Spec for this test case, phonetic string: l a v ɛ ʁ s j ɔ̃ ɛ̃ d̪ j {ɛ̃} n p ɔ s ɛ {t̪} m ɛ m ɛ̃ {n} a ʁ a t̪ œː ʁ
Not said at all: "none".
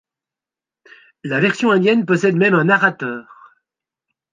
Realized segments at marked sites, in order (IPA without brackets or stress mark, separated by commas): ɛ, d̪, n